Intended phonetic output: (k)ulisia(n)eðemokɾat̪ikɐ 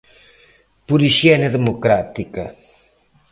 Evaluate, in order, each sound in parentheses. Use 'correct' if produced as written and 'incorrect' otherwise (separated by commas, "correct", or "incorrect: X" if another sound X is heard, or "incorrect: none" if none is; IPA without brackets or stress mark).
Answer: incorrect: p, correct